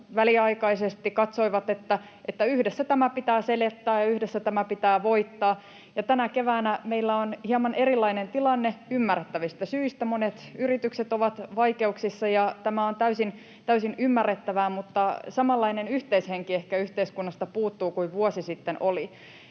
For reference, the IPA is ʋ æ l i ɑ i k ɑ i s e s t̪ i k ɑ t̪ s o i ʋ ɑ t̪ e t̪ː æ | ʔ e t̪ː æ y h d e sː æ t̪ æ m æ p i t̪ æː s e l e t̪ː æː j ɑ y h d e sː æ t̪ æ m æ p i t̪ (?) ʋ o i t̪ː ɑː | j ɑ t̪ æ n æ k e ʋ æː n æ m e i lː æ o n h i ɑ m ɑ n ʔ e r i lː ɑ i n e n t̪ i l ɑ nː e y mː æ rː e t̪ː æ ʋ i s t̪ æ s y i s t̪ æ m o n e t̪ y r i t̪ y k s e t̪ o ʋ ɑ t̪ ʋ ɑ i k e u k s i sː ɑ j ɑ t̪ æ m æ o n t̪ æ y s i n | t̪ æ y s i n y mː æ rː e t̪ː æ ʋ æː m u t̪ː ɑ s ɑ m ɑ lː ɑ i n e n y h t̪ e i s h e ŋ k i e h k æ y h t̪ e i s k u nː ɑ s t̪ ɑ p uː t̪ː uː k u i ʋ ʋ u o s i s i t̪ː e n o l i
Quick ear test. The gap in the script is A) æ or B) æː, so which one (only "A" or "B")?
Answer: B